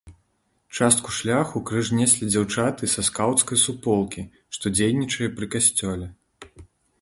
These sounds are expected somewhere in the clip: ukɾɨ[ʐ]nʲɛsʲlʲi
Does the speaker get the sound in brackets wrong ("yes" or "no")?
no